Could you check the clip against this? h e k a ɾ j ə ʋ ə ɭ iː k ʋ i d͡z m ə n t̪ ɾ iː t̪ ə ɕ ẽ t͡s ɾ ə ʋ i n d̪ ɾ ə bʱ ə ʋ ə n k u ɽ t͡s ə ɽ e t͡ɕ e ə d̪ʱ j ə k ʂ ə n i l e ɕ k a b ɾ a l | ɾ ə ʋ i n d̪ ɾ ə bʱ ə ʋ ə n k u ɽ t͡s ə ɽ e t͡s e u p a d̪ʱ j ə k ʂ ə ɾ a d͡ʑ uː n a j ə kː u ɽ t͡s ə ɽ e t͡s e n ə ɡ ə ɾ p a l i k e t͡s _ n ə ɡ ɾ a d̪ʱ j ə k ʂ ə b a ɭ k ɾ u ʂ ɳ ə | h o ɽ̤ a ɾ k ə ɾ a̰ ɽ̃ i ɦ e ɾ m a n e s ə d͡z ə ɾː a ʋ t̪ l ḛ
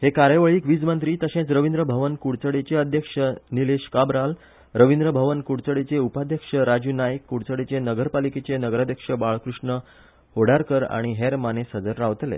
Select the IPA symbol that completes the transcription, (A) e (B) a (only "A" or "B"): A